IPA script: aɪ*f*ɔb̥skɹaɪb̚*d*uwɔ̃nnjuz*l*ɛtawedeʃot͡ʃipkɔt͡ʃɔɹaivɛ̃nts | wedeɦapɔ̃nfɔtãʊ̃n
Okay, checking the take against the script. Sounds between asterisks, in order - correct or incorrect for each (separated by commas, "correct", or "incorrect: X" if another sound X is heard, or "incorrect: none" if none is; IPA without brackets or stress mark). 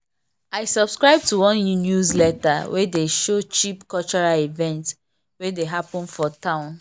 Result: incorrect: s, incorrect: t, correct